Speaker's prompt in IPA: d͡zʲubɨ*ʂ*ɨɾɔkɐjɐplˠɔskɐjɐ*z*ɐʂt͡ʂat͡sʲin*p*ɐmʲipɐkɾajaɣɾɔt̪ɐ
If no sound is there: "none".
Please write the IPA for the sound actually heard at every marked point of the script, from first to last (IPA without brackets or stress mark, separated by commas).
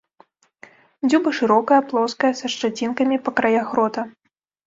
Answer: ʂ, s, k